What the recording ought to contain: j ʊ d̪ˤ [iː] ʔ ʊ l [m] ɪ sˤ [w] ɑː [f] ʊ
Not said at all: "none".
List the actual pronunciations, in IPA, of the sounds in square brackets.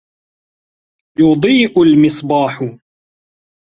iː, m, b, ħ

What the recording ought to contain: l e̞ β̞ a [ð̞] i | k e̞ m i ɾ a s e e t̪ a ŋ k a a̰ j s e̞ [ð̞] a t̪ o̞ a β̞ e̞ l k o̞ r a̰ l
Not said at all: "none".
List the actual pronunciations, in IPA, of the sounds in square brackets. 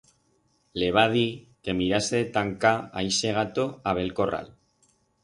ð̞, ɣ̞

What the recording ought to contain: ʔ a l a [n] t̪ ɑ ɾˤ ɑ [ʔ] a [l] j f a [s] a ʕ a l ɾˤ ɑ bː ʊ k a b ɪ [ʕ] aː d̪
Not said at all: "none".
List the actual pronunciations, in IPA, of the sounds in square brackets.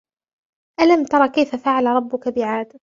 m, k, none, f, ʕ

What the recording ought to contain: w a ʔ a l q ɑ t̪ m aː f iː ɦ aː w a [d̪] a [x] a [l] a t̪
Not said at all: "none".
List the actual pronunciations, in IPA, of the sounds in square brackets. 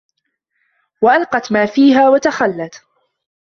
t̪, x, lː

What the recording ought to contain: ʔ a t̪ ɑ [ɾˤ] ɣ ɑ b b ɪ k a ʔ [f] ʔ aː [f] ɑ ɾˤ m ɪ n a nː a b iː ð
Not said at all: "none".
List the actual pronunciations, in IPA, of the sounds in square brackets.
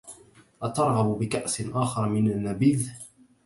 ɾˤ, s, x

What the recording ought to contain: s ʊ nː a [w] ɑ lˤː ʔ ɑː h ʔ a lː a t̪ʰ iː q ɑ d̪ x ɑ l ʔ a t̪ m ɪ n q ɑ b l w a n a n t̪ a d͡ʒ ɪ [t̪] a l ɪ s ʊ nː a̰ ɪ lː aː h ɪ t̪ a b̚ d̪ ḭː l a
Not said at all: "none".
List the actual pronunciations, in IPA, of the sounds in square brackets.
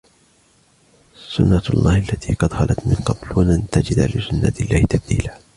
none, d̪

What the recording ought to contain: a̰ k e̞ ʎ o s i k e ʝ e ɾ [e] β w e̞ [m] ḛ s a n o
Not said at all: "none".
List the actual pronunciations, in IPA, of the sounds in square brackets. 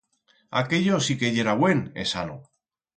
a, n

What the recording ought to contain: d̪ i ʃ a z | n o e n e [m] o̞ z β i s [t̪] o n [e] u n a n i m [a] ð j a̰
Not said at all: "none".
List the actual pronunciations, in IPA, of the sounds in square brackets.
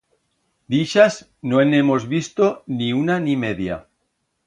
m, t̪, i, e

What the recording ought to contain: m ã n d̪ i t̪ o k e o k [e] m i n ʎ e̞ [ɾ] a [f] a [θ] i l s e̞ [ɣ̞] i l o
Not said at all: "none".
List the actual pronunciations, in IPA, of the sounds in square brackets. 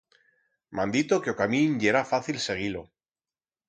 a, ɾ, f, θ, ɣ̞

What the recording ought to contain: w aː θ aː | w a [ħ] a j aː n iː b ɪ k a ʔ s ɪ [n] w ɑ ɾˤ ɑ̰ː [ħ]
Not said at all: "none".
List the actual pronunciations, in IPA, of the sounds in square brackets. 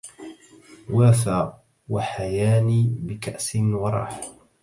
ħ, n, ħ

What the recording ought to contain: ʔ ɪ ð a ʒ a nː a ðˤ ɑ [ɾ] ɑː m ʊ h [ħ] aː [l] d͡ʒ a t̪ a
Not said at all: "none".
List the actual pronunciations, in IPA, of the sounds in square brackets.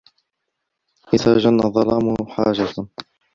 l, ħ, none

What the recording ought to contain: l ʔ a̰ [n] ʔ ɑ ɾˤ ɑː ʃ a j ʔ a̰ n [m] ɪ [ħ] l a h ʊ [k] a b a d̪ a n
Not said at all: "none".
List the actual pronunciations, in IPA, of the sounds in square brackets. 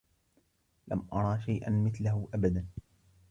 m, m, θ, ʔ

